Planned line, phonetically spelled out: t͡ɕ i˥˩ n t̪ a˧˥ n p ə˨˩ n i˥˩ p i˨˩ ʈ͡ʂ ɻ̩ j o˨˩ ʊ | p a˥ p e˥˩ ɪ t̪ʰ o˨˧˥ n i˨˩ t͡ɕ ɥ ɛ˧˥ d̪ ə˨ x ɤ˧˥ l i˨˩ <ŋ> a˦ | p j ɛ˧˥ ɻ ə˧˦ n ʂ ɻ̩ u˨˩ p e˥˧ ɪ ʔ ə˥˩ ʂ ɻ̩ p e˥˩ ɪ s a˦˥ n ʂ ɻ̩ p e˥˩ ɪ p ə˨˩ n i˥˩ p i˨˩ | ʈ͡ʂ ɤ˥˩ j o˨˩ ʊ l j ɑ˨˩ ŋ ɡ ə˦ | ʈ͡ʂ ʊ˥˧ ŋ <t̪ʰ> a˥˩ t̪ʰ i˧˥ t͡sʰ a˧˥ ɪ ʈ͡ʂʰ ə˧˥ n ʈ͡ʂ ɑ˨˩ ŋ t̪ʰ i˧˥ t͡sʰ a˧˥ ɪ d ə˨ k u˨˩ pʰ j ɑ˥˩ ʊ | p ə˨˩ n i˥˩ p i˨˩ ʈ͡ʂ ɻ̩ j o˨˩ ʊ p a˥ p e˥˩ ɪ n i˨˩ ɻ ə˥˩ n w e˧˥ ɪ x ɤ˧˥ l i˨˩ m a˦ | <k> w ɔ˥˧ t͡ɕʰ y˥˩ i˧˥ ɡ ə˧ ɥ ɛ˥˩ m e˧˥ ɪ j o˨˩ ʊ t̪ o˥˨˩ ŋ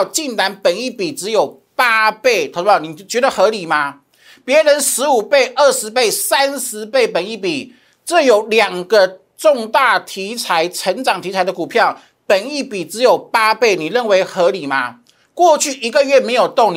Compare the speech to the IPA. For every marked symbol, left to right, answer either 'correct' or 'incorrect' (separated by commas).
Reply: incorrect, incorrect, correct